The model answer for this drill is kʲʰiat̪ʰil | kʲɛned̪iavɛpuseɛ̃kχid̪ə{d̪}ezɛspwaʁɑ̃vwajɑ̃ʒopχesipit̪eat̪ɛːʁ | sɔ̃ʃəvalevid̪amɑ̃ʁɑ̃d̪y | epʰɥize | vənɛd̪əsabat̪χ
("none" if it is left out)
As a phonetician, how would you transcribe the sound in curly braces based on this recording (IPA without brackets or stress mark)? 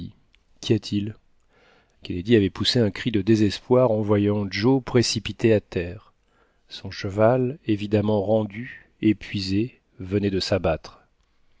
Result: d̪